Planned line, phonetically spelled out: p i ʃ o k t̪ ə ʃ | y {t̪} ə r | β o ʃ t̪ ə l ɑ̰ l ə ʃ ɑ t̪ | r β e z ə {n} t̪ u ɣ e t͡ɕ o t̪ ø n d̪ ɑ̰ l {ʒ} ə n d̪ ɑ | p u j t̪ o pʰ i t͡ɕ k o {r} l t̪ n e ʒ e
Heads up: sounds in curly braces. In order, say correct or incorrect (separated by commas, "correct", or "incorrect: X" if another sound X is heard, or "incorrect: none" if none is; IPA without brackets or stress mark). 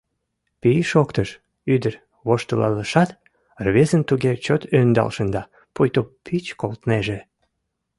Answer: incorrect: d̪, correct, incorrect: ʃ, incorrect: none